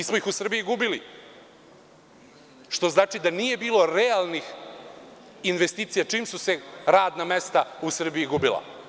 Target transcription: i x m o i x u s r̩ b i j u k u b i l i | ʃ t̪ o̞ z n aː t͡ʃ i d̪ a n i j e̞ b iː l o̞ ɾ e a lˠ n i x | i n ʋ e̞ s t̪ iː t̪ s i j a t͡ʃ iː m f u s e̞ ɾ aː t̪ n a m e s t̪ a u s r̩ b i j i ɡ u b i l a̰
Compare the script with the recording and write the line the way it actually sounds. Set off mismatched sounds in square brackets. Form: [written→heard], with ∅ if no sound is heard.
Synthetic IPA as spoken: i [x→s] m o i x u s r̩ b i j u [k→ɡ] u b i l i | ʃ t̪ o̞ z n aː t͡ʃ i d̪ a n i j e̞ b iː l o̞ ɾ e a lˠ n i x | i n ʋ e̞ s t̪ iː t̪ s i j a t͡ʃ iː m [f→s] u s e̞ ɾ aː [t̪→d̪] n a m e s t̪ a u s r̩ b i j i ɡ u b i l a̰